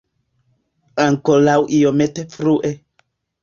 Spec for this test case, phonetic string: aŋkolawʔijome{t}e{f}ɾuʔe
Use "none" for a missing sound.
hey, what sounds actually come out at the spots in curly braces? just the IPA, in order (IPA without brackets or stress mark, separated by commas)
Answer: t, f